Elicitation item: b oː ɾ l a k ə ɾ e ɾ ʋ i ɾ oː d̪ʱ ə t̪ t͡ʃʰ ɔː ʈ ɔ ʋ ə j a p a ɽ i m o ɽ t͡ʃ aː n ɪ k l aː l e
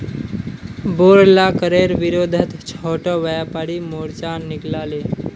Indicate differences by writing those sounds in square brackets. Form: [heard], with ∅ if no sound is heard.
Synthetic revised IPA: b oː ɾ l a k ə ɾ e ɾ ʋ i ɾ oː d̪ʱ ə t̪ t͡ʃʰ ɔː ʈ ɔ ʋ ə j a p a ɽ i m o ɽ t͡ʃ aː n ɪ k l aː l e